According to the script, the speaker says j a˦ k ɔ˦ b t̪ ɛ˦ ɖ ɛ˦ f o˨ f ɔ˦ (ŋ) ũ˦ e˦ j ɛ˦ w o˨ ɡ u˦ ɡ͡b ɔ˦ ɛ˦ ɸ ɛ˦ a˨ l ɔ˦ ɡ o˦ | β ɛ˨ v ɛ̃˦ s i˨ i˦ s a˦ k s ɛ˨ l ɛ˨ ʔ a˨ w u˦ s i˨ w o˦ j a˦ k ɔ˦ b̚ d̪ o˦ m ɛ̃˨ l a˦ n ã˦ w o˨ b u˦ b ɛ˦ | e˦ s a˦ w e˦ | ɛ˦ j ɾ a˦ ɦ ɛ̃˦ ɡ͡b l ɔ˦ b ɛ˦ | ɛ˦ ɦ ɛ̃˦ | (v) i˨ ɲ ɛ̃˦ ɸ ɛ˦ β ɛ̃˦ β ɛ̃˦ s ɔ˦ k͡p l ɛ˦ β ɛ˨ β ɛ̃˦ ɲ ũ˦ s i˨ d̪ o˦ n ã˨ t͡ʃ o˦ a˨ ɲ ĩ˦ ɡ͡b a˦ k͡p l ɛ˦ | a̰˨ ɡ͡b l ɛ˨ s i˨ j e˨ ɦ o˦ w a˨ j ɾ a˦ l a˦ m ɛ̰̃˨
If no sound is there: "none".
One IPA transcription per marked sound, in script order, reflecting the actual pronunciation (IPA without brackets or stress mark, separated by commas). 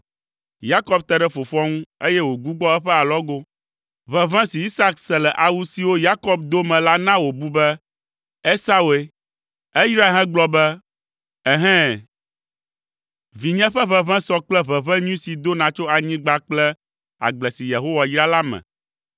ŋ, v